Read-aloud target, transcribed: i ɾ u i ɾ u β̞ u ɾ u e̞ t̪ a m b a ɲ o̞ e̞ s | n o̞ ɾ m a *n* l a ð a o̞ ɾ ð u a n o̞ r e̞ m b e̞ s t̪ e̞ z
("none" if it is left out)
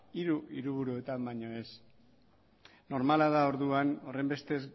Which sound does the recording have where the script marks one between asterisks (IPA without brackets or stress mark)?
none